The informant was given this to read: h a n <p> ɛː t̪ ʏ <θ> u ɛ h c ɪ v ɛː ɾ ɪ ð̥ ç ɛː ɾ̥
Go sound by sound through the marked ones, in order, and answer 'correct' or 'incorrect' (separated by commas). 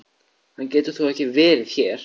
incorrect, correct